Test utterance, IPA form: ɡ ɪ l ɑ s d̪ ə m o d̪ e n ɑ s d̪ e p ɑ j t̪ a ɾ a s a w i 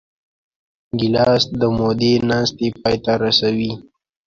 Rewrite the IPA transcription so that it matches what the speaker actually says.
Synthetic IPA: ɡ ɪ l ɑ s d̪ ə m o d̪ e n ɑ s t̪ e p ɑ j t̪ a ɾ a s a w i